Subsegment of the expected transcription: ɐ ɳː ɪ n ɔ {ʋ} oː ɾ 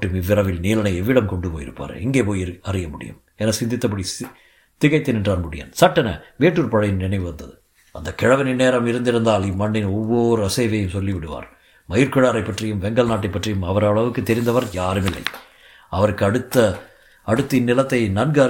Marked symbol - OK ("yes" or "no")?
no